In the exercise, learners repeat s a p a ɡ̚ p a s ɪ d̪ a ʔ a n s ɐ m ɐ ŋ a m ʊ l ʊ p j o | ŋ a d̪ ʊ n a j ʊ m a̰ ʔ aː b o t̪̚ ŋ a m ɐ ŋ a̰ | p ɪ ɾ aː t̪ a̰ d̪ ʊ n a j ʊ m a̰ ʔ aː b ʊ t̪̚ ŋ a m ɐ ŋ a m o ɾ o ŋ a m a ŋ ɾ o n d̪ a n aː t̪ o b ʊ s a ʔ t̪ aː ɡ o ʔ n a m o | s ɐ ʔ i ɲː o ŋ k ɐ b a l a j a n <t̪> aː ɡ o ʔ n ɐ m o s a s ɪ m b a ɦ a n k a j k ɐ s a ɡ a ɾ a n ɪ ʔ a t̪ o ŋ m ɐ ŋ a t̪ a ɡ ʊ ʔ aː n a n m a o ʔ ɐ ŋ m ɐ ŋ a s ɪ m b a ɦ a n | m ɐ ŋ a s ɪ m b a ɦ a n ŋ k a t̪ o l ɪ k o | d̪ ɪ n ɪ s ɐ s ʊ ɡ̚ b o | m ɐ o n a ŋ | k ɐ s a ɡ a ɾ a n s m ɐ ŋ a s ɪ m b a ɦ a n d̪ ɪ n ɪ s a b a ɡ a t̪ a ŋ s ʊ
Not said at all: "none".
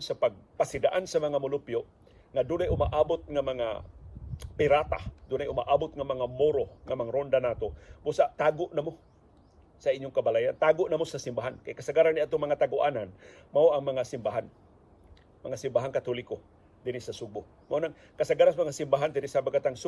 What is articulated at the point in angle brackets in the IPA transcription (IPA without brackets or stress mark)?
t̪